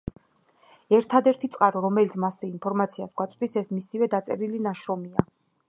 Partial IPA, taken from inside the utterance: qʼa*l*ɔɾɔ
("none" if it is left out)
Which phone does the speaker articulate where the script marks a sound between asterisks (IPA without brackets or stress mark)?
ɾ